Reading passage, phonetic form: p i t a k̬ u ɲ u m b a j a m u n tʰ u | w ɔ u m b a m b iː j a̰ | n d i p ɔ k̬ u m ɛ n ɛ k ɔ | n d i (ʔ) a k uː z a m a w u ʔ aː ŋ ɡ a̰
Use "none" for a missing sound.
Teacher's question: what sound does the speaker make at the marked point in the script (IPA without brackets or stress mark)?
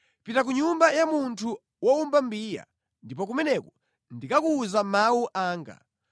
k